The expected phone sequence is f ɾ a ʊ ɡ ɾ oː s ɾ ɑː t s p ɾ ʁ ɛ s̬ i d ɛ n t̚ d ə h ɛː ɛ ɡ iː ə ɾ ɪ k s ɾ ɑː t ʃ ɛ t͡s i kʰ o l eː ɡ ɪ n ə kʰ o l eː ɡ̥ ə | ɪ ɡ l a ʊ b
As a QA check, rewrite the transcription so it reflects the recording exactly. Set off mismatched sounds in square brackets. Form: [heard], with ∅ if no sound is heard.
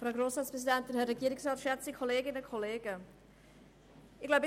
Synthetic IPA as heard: f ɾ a ʊ ɡ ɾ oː s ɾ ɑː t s p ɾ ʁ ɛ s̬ i d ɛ n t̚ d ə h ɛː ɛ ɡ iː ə ɾ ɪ k s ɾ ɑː t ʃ ɛ t͡s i kʰ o l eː ɡ ɪ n ə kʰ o l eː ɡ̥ ə | ɪ ɡ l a ʊ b

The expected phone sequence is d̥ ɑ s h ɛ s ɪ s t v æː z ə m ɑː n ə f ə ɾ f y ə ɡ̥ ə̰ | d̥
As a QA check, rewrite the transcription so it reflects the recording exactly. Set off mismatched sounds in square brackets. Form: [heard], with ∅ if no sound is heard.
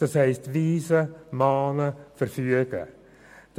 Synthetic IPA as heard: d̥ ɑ s h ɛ [∅] ɪ s t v [iː] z ə m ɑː n ə f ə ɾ f y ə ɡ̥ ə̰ | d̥

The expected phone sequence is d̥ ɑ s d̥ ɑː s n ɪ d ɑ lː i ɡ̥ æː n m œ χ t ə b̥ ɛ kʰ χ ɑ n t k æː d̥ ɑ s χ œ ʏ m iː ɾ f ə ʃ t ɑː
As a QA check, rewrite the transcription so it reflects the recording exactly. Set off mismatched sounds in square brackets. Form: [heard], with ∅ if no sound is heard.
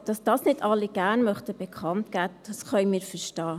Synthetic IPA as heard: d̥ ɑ s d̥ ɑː s n ɪ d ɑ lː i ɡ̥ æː n m œ χ t ə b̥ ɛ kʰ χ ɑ n t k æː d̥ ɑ s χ œ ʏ m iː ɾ f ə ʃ t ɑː

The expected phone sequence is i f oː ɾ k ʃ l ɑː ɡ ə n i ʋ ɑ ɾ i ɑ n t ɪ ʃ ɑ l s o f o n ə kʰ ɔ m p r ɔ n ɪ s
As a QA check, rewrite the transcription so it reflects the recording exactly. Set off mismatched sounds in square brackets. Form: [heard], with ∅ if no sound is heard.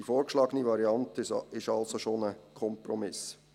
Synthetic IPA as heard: i f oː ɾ k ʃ l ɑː ɡ ə n i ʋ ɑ ɾ i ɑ n t ɪ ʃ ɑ l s o [ʃ] o n ə kʰ ɔ m p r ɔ [m] ɪ s

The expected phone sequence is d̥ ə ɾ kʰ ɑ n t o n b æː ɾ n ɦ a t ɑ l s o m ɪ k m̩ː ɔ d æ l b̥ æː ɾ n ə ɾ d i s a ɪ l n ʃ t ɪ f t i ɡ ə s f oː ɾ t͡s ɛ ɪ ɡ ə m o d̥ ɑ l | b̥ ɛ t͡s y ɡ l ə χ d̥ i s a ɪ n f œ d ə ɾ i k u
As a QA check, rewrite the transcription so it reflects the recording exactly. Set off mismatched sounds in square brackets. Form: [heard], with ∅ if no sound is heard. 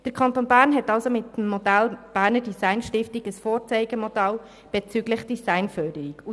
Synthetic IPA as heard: d̥ ə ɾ kʰ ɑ n t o n b æː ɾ n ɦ [ɛ] t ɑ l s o m ɪ [t] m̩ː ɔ d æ l b̥ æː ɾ n ə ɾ d i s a ɪ [∅] n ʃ t ɪ f t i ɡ ə s f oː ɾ t͡s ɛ ɪ ɡ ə m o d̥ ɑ l | b̥ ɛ t͡s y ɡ l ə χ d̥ i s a ɪ n f œ d ə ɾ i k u

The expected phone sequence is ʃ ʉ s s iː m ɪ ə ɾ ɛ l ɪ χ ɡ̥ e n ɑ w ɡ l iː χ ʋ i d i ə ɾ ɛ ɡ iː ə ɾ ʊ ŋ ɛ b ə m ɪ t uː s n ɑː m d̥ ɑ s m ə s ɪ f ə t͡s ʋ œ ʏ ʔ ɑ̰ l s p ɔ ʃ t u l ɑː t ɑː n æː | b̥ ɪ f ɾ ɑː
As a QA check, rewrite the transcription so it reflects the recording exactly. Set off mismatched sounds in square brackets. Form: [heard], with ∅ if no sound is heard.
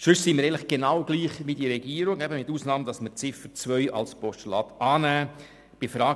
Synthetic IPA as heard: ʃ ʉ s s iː m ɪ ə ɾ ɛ l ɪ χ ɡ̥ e n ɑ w ɡ l iː χ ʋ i d i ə ɾ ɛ ɡ iː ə ɾ ʊ ŋ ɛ b ə m ɪ t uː s n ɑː m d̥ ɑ s m ə [t͡s] ɪ f ə t͡s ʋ œ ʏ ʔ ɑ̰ l s p ɔ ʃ t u l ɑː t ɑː n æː | b̥ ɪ f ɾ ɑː

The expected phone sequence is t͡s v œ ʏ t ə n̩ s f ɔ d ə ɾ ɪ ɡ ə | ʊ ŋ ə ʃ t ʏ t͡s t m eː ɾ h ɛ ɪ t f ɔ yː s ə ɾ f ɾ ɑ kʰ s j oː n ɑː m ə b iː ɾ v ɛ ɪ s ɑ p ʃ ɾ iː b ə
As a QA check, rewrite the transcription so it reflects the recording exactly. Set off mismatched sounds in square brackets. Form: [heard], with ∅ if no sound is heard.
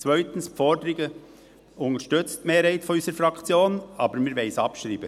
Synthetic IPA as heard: t͡s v œ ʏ t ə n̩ s f ɔ d ə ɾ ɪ ɡ ə | ʊ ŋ ə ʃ t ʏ t͡s t m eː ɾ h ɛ ɪ t f ɔ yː s ə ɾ f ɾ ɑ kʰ [t͡s] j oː n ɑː [b] ə [m] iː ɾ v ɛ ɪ s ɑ p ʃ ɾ iː b ə

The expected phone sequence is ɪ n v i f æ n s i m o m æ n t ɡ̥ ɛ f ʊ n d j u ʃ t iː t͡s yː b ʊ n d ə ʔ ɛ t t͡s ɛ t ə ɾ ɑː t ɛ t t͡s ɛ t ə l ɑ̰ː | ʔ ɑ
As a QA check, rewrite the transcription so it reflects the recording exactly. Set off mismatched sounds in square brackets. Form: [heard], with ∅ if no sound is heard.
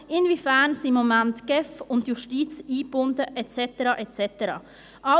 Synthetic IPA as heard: ɪ n v i f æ n s i m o m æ n t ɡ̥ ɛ f ʊ n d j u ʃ t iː t͡s [iː] b ʊ n d ə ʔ ɛ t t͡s ɛ t ə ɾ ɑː [ʔ] ɛ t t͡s ɛ t ə [ɾ] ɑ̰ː | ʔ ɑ

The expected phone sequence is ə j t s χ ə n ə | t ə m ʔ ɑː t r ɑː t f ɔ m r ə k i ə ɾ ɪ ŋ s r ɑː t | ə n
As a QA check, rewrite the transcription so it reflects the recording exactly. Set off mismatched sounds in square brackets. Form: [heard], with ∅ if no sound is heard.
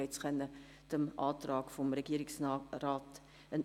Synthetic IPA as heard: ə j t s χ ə n ə | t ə m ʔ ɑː t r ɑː [k] f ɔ m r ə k i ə ɾ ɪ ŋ s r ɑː t | ə n

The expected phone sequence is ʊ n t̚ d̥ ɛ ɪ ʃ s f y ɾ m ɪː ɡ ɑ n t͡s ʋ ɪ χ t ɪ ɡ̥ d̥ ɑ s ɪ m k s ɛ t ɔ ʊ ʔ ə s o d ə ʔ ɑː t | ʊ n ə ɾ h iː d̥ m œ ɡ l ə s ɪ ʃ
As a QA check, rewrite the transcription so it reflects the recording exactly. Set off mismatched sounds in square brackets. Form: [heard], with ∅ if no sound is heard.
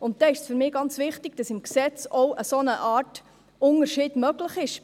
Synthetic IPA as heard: ʊ n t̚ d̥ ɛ ɪ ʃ s f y ɾ m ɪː ɡ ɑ n t͡s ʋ ɪ χ t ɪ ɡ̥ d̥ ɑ s ɪ m k s ɛ [t͡s] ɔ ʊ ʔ ə s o [n] ə ʔ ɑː t | ʊ n ə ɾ [ʃ] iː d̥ m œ ɡ l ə [χ] ɪ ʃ

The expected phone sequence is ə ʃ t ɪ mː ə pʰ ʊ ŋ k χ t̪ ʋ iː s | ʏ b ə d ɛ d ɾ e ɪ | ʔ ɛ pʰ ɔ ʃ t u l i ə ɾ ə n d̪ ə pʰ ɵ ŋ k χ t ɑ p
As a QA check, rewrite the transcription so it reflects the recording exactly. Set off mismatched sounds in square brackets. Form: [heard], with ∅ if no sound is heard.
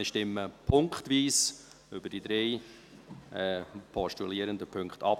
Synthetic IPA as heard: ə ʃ t ɪ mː ə pʰ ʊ ŋ k χ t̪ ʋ iː s | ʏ b ə d [i] d ɾ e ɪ | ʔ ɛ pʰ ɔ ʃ t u l i ə ɾ ə n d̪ ə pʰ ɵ ŋ k χ t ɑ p

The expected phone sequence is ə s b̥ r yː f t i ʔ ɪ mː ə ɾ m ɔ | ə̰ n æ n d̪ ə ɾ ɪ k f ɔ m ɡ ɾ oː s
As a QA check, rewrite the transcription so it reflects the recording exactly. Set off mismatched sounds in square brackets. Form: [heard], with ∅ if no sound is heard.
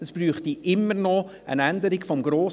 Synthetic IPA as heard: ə s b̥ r yː [χ] t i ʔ ɪ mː ə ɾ [n] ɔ | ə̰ n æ n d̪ ə ɾ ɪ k f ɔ m ɡ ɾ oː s

